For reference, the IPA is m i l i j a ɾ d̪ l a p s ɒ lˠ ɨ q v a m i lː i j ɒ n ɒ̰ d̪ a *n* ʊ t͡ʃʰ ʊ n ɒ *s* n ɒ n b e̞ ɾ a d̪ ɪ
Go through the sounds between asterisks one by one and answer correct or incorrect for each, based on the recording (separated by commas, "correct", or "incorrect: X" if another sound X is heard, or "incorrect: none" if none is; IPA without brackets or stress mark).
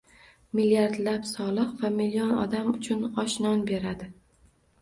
incorrect: m, incorrect: ʃ